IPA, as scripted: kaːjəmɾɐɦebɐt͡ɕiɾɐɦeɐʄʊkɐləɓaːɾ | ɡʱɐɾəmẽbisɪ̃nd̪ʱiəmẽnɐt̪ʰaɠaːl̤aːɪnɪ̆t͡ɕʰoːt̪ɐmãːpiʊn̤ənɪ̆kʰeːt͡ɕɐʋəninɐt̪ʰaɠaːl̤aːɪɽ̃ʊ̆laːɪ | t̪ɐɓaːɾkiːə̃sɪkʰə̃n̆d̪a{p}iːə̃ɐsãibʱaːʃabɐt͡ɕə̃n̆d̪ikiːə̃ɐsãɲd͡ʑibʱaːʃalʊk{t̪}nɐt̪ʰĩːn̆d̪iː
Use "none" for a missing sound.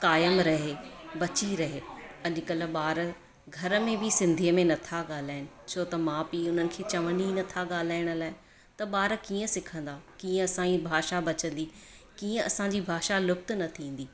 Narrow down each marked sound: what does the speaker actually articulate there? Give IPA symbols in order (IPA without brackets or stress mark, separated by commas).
k, t̪